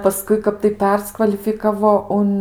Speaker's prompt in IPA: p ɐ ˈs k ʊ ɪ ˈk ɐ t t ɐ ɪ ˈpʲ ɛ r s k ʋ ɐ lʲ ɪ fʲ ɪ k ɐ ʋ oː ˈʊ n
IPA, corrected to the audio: p ɐ ˈs k ʊ ɪ ˈk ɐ p t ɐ ɪ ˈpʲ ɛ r s k ʋ ɐ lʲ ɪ fʲ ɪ k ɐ ʋ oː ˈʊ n